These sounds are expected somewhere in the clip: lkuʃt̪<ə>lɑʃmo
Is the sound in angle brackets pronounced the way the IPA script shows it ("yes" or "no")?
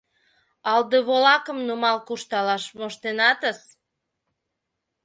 no